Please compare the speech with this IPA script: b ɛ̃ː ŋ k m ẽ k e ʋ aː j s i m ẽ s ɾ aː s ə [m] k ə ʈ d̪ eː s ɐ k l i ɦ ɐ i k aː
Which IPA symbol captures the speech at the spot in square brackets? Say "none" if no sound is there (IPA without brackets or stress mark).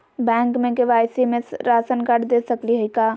n